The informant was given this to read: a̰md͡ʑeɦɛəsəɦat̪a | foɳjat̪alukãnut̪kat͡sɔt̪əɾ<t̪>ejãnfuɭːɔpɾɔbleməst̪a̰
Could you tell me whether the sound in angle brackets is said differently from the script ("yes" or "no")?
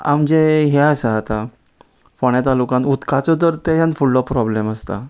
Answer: no